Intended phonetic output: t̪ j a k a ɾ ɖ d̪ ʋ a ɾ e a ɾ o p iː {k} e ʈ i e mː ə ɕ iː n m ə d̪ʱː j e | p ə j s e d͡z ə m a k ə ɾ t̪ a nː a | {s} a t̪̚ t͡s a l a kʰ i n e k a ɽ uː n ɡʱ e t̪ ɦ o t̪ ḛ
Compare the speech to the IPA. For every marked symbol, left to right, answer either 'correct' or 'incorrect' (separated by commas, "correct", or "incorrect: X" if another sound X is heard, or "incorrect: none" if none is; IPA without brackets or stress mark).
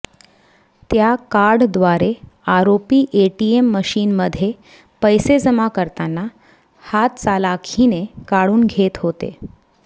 incorrect: ʔ, incorrect: h